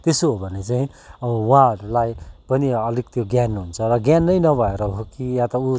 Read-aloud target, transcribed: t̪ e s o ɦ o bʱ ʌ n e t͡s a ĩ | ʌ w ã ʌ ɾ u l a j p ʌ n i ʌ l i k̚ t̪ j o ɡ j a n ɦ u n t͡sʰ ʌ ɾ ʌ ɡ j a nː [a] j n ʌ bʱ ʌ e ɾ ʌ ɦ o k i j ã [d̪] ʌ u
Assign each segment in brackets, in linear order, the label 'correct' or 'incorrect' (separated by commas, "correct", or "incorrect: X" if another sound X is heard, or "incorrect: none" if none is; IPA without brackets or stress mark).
incorrect: ʌ, incorrect: t̪